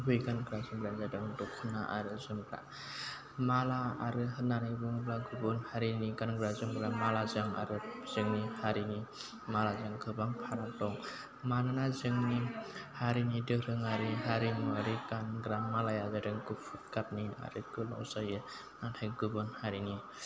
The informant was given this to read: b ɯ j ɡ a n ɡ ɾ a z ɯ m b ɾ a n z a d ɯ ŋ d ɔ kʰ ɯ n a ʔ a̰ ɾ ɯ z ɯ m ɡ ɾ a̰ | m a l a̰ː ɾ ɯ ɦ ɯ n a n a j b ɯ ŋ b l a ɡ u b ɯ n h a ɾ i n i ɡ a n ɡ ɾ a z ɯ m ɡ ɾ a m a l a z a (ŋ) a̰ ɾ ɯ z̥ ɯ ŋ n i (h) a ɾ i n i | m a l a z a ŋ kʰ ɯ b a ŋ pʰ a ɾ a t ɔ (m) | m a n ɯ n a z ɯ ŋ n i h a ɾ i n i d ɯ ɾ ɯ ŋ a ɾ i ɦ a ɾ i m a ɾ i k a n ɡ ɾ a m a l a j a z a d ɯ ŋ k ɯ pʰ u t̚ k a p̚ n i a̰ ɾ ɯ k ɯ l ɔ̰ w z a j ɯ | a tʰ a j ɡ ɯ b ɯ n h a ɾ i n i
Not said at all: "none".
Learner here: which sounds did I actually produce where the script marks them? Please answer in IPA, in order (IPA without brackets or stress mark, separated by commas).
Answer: ŋ, h, ŋ